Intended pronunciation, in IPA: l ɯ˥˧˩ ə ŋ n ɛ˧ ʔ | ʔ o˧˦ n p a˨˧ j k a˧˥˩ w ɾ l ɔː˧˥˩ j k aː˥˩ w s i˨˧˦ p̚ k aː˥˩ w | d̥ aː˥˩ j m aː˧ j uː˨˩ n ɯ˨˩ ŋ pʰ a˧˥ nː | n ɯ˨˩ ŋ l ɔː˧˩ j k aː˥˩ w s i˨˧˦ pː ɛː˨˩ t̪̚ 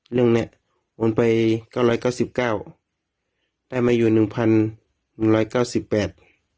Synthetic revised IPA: l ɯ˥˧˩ ə ŋ n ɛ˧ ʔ | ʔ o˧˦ n p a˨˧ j k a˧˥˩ w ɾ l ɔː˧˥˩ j k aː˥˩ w s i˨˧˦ p̚ k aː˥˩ w | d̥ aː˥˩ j m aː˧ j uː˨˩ n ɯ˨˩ ŋ pʰ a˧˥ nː | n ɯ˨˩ ŋ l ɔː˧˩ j k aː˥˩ w s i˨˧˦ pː ɛː˨˩ t̪̚